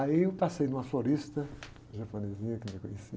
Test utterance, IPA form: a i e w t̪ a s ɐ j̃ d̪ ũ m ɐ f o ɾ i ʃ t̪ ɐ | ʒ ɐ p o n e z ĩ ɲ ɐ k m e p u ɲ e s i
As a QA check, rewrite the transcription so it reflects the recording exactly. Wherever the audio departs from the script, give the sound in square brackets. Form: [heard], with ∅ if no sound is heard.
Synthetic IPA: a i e w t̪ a s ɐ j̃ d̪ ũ m ɐ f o ɾ i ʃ t̪ ɐ | ʒ ɐ p o n e z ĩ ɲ ɐ k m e [k] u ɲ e s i